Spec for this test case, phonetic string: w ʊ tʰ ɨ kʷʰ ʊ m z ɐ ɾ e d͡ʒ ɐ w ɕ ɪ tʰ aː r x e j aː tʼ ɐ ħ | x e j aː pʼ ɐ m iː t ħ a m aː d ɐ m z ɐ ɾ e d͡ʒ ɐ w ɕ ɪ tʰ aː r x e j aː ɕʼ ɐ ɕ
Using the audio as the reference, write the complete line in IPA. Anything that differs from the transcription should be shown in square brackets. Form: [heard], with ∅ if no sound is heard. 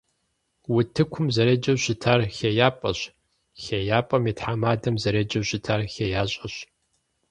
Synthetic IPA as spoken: w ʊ tʰ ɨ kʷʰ ʊ m z ɐ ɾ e d͡ʒ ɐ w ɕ ɪ tʰ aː r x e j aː [pʼ] ɐ [ɕ] | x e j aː pʼ ɐ m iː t ħ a m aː d ɐ m z ɐ ɾ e d͡ʒ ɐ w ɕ ɪ tʰ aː r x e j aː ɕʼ ɐ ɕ